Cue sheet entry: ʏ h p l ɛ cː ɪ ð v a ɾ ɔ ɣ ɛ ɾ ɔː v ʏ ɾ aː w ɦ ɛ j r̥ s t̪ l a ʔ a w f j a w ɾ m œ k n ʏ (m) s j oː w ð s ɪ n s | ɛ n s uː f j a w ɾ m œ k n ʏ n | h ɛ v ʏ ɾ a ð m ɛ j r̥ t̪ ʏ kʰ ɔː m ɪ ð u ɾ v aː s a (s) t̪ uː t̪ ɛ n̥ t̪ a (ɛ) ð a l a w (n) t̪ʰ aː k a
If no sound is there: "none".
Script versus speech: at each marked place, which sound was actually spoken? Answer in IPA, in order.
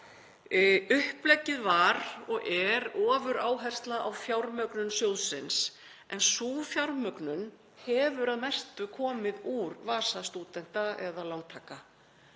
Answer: n, s, ɛ, ŋ

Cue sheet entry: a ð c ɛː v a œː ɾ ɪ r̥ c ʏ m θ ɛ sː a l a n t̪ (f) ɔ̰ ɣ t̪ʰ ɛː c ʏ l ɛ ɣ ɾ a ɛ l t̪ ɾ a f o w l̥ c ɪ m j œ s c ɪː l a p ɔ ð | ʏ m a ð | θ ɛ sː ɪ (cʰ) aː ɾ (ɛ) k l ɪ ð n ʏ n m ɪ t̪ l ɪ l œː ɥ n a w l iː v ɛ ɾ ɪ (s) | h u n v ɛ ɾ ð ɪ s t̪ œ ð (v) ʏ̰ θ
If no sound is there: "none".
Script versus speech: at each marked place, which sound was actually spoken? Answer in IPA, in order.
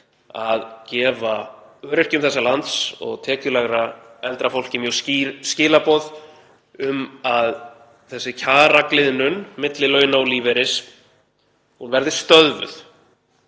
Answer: s, cʰ, a, s, v

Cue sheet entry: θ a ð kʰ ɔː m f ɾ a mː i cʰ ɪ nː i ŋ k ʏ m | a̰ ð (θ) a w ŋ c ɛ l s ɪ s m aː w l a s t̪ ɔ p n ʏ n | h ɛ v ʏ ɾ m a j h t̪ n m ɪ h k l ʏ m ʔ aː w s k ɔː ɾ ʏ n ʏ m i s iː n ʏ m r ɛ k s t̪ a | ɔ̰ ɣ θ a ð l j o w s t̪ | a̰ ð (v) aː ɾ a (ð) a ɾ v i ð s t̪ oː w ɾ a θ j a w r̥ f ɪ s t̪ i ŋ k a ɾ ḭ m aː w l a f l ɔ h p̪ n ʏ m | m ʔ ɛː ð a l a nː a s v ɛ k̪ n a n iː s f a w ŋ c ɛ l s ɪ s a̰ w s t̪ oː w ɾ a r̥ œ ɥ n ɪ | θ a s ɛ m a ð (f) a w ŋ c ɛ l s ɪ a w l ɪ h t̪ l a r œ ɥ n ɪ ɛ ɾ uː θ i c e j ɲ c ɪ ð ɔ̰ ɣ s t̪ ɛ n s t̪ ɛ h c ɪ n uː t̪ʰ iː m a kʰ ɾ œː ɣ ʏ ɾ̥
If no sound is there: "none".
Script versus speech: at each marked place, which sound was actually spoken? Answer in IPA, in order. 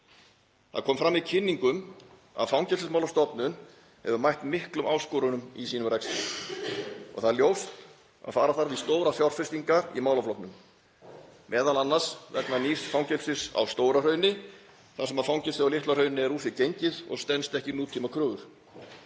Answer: f, f, θ, f

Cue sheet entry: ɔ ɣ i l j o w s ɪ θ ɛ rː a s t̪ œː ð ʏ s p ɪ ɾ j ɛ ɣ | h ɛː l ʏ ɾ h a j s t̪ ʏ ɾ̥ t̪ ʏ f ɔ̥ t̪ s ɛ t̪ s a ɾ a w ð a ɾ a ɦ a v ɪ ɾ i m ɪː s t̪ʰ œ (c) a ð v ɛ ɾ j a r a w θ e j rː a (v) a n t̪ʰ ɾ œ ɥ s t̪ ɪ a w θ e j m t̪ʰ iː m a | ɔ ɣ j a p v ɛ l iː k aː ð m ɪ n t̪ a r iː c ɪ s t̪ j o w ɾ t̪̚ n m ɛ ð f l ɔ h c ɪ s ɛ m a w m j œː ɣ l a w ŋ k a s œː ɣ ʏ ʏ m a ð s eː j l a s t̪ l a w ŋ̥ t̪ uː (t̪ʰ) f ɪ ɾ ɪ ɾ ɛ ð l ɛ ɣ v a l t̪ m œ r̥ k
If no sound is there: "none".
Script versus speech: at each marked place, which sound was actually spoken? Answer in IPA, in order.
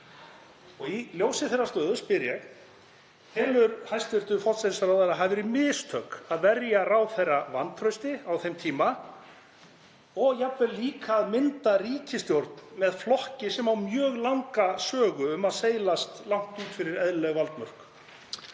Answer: k, v, t̪

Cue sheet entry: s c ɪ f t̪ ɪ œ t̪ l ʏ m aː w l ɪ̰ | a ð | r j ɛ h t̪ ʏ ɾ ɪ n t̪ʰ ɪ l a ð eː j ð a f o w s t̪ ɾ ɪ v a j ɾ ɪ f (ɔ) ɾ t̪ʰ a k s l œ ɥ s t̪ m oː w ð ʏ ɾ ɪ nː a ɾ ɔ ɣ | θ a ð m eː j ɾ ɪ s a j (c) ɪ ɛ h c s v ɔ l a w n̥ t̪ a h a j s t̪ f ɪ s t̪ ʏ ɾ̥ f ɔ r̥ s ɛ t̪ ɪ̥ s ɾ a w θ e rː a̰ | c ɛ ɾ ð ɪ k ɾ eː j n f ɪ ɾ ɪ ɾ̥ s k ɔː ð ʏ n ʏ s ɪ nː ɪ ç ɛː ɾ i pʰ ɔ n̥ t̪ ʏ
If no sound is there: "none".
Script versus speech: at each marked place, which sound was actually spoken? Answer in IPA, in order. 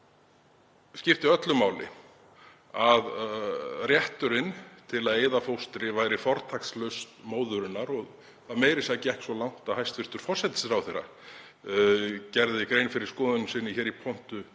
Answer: ɔ, c

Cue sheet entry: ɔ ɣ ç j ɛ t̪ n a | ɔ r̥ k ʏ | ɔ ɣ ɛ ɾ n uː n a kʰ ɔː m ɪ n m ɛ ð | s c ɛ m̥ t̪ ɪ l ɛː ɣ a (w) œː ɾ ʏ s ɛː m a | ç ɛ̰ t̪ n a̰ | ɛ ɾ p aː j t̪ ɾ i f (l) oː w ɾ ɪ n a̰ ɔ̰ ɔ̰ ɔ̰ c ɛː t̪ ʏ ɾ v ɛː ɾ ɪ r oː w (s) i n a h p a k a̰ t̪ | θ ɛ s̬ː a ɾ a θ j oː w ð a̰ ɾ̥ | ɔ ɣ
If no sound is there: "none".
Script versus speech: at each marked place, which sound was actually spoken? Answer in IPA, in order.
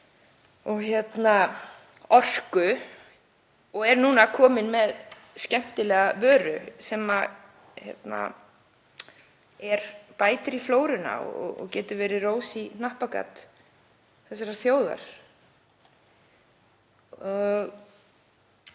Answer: v, l, s

